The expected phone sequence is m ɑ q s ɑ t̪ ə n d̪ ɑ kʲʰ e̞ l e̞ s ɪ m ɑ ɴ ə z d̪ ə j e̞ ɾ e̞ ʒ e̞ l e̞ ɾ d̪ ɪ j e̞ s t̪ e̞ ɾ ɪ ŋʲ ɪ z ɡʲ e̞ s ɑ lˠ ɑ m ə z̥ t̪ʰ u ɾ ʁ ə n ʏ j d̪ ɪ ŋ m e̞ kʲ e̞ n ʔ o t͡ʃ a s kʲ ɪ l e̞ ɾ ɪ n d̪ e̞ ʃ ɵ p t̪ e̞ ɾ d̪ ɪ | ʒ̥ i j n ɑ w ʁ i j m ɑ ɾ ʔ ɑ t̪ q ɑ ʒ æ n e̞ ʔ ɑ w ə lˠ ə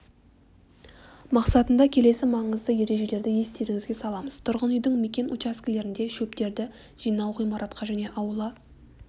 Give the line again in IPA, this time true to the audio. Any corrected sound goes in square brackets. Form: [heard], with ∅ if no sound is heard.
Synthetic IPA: m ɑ q s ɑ t̪ ə n d̪ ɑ kʲʰ e̞ l e̞ s ɪ m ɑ ɴ ə z d̪ ə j e̞ ɾ e̞ ʒ e̞ l e̞ ɾ d̪ ɪ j e̞ s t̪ e̞ ɾ ɪ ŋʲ ɪ z ɡʲ e̞ s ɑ lˠ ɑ m ə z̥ t̪ʰ [ʊ] ɾ ʁ ə n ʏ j d̪ ɪ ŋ m e̞ kʲ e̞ n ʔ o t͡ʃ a s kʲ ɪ l e̞ ɾ ɪ n d̪ e̞ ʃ ɵ p t̪ e̞ ɾ d̪ ɪ | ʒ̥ i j n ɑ w ʁ i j m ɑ ɾ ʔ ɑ t̪ q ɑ ʒ æ n e̞ ʔ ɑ w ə lˠ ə